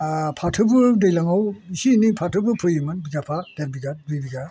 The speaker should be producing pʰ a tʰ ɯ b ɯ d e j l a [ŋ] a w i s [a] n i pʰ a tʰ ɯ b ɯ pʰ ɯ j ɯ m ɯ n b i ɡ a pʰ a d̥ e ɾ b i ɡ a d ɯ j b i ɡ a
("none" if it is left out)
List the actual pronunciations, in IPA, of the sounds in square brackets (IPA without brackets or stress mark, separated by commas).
ŋ, i